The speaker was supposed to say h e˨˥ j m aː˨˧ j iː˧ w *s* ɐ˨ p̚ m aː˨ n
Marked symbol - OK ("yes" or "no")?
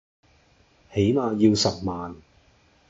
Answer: yes